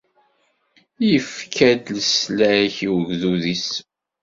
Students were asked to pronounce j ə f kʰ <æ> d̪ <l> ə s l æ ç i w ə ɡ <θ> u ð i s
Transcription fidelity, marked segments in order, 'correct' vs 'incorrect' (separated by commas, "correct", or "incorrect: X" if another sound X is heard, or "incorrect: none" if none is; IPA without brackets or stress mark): correct, correct, incorrect: ð